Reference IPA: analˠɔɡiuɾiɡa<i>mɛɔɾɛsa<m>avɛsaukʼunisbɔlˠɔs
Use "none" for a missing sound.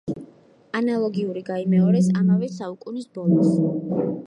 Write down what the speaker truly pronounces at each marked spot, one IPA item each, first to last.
i, m

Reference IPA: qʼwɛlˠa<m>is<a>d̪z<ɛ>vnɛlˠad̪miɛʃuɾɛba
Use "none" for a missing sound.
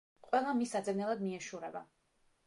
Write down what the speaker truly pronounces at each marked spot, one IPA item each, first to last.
m, a, ɛ

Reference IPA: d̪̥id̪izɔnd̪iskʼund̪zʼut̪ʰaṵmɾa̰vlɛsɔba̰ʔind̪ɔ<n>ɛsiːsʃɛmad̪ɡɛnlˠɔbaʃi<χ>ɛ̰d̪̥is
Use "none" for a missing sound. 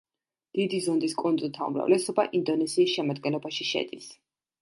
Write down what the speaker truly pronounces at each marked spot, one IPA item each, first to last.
n, ʃ

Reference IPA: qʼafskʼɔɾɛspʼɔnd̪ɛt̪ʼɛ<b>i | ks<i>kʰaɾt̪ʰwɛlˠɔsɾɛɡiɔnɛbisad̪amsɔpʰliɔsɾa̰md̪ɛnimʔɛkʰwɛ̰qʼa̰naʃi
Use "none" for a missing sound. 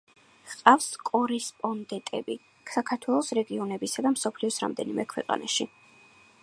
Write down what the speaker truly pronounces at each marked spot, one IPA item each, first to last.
b, a

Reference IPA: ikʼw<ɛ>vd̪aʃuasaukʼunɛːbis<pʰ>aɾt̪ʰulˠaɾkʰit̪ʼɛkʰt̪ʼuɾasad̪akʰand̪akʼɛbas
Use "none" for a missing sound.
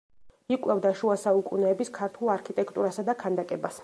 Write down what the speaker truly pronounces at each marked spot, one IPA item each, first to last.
ɛ, kʰ

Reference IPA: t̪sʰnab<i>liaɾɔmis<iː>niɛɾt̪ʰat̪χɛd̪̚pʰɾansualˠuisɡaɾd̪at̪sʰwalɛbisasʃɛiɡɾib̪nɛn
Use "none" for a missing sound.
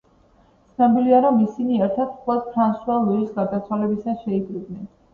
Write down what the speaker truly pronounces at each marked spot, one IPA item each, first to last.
i, i

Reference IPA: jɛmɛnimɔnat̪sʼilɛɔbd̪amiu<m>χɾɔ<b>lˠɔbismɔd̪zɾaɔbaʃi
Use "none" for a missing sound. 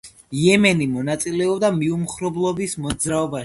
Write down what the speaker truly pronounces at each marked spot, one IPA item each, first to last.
m, b

